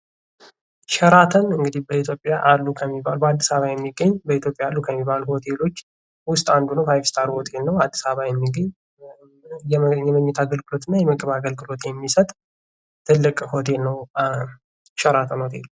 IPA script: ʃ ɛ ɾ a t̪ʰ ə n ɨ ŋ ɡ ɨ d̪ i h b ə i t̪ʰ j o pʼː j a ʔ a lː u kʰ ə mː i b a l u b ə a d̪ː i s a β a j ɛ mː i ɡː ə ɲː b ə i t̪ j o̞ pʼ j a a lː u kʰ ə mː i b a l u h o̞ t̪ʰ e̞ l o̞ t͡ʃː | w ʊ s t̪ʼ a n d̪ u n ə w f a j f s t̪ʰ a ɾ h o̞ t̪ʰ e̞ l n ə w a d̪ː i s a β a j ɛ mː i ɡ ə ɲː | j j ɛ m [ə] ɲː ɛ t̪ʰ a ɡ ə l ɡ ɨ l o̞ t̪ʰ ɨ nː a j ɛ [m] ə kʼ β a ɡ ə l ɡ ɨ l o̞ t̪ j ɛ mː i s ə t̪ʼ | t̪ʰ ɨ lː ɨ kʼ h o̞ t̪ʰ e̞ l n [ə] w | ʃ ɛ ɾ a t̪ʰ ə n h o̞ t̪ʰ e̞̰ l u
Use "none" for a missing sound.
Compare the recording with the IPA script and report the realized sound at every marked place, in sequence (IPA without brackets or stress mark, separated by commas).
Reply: ə, m, ə